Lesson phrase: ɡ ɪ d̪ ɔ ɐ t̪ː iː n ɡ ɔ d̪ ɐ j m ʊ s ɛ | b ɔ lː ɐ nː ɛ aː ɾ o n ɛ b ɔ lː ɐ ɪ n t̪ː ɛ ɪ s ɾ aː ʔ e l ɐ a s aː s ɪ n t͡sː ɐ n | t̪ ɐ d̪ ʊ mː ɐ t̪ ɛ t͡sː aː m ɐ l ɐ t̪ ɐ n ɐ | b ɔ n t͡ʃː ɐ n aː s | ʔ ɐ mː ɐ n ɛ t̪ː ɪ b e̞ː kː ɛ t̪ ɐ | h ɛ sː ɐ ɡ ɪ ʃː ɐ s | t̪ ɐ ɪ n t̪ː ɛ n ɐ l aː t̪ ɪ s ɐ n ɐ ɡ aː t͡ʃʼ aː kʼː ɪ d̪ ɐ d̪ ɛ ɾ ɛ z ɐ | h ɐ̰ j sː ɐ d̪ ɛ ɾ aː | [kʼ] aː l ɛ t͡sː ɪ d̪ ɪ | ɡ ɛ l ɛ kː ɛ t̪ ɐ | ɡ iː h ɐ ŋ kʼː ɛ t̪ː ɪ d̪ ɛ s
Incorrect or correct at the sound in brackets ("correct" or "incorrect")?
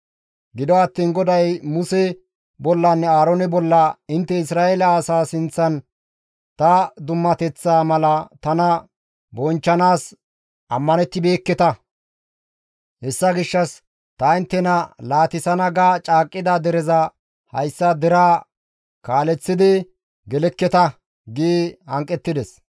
incorrect